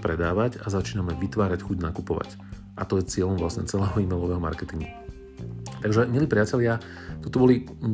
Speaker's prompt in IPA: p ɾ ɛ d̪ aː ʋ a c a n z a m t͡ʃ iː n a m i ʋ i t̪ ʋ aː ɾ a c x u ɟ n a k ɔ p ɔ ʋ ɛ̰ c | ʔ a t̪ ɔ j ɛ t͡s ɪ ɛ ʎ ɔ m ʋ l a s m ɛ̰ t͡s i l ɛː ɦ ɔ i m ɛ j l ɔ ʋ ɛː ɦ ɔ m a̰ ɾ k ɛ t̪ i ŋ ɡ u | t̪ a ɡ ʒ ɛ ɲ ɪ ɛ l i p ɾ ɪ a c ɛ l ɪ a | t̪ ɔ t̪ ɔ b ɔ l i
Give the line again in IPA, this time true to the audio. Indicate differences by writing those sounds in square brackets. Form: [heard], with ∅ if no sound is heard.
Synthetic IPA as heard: p ɾ ɛ d̪ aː ʋ a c a [∅] z a [∅] t͡ʃ iː n a m [ɛ] ʋ i t̪ ʋ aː ɾ a c x u ɟ n a k [u] p ɔ ʋ [a̰] c | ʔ a t̪ ɔ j ɛ t͡s ɪ ɛ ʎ ɔ m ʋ l a s [ɲ] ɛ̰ t͡s [ɛ] l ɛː ɦ ɔ i m ɛ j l ɔ ʋ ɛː ɦ ɔ m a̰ ɾ k ɛ t̪ i ŋ ɡ u | t̪ a ɡ ʒ ɛ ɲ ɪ ɛ l i p ɾ ɪ a c ɛ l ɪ a | t̪ ɔ t̪ ɔ b ɔ l i